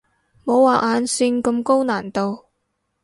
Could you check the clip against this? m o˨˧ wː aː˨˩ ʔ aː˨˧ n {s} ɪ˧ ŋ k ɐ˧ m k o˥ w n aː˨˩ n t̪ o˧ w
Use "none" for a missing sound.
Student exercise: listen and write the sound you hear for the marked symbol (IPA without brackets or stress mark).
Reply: s